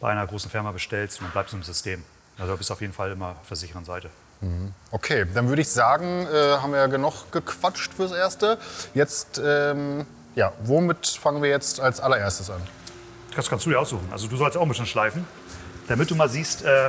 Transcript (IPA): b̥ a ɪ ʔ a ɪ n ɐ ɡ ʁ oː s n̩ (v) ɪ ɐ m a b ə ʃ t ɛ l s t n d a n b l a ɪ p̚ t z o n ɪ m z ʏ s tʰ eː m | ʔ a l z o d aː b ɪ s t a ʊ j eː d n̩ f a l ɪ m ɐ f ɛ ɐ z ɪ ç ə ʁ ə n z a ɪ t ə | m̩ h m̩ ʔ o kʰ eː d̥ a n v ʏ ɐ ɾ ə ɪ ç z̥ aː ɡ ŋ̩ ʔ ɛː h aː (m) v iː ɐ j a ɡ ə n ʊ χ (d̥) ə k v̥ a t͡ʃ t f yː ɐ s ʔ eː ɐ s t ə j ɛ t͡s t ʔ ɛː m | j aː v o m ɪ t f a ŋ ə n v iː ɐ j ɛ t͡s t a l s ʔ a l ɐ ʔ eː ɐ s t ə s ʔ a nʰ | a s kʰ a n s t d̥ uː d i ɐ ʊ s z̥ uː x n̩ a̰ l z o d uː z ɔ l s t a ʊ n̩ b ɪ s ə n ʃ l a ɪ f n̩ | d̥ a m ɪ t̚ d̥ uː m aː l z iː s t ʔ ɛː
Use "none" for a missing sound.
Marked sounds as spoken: f, m, ɡ̥

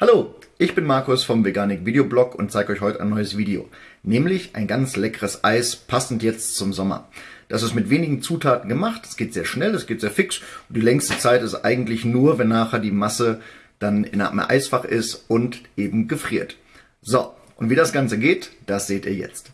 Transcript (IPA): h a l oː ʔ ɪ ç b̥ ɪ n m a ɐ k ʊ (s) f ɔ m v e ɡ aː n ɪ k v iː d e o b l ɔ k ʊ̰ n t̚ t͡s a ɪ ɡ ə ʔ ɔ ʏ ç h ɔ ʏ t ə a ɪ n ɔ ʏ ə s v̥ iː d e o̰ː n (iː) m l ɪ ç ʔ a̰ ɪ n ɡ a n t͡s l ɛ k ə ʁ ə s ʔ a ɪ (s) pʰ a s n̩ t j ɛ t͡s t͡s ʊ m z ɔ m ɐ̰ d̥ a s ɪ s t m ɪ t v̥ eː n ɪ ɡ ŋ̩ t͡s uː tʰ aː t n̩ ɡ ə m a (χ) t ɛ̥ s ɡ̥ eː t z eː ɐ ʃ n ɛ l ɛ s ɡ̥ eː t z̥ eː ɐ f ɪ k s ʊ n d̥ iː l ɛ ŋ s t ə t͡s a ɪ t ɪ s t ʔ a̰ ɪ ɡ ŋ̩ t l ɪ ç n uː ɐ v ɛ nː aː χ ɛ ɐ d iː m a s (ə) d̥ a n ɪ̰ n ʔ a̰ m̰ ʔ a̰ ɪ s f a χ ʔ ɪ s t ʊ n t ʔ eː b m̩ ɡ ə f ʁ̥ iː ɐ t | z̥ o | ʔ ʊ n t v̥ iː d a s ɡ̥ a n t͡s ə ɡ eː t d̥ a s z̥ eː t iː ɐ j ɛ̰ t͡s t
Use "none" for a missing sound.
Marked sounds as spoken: s, ɛː, s, χ, ə

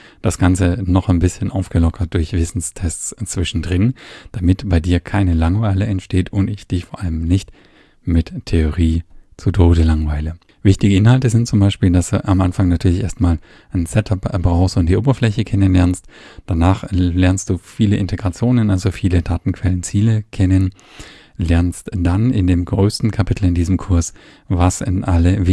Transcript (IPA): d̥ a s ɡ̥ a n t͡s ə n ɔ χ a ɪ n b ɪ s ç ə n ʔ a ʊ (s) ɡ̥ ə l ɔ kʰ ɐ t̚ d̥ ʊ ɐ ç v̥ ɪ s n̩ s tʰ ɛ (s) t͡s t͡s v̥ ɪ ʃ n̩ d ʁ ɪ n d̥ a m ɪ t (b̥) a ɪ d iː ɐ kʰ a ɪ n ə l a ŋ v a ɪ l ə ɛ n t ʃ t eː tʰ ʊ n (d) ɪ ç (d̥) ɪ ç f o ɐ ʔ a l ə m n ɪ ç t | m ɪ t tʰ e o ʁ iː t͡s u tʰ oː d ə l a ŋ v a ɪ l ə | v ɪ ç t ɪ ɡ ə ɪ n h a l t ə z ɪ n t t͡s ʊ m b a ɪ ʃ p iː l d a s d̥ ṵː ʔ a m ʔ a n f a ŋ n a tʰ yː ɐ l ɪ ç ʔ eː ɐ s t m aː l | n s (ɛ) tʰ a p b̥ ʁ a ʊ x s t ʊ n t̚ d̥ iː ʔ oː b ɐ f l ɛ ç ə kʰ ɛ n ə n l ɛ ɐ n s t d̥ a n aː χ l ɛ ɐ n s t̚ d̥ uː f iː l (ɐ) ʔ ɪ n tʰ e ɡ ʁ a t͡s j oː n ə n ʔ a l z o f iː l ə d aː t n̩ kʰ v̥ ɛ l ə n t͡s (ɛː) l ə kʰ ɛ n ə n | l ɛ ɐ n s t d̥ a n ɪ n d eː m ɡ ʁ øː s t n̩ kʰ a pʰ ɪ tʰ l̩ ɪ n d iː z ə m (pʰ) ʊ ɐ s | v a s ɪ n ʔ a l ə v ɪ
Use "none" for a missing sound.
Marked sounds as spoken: f, s, b̥, t, d̥, ɛ, ə, iː, kʰ

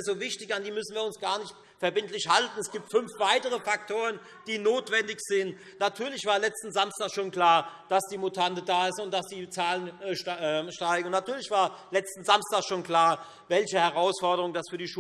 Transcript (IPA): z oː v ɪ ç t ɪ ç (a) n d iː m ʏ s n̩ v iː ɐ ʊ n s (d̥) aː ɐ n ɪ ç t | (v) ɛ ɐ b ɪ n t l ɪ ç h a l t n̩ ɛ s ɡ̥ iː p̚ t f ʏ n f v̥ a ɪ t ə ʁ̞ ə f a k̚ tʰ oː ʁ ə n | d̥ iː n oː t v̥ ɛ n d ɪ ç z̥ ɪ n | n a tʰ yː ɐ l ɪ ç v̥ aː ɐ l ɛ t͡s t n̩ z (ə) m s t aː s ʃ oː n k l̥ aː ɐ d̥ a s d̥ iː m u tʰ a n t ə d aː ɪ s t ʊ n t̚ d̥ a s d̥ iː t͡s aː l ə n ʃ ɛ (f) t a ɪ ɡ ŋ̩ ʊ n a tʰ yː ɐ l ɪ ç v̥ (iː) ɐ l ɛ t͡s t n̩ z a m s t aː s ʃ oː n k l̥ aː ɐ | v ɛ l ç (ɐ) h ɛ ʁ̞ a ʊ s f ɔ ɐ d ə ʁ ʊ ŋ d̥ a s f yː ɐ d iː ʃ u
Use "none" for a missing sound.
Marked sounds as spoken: a, ɡ̥, f, a, ʃ, aː, ə

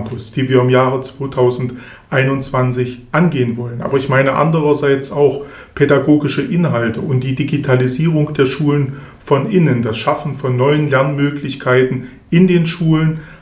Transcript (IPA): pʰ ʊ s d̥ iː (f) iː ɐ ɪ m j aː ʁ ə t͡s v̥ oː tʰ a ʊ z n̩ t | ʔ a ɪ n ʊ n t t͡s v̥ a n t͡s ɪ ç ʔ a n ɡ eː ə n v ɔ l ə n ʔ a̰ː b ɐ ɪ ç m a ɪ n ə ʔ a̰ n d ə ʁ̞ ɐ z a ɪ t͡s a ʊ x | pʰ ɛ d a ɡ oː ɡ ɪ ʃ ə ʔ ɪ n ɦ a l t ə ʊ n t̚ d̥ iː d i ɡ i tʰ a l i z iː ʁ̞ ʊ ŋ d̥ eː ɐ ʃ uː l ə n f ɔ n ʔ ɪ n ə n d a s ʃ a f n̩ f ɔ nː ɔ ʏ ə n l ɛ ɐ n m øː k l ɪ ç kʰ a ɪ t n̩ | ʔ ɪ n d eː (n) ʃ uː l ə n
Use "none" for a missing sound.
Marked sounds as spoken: v, n

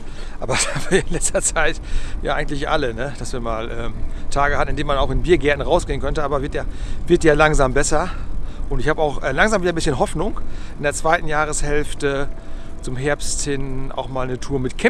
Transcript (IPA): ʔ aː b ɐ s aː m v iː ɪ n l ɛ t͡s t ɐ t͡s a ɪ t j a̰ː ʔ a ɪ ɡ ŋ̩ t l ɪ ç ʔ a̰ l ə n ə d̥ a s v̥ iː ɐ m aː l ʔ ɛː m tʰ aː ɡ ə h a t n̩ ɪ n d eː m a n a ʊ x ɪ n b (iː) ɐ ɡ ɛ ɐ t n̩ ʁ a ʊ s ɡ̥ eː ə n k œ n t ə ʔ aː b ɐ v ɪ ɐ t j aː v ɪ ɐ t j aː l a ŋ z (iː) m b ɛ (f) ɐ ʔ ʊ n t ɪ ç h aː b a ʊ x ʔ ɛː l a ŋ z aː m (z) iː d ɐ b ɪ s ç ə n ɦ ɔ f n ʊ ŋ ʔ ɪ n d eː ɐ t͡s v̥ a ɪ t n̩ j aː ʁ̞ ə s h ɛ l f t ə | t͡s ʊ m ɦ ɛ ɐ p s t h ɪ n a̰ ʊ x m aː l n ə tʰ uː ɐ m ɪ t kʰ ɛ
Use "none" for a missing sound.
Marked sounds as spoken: iː, aː, s, v

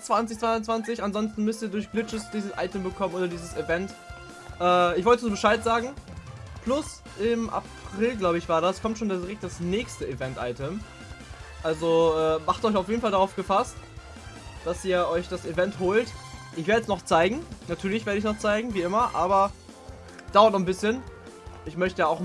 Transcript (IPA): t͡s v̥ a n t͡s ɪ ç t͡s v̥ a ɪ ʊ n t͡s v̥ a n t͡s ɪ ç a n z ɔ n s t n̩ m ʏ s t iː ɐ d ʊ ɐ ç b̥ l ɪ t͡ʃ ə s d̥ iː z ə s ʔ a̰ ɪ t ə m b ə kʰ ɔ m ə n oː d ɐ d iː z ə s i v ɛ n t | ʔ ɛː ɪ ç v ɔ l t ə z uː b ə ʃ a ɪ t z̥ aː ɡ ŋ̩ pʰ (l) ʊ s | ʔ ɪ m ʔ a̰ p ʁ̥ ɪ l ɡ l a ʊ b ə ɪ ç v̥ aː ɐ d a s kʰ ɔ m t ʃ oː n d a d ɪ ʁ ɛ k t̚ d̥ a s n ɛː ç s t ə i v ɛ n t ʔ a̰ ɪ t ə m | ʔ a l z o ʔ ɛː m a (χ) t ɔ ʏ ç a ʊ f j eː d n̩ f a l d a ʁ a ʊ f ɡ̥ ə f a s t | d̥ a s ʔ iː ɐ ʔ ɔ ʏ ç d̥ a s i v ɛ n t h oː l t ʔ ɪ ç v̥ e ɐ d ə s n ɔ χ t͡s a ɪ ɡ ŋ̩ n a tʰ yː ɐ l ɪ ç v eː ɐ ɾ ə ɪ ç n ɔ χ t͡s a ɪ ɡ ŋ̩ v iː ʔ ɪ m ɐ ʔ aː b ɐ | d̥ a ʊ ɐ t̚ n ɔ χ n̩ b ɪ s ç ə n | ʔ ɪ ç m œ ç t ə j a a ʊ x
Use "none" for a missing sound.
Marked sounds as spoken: l, χ

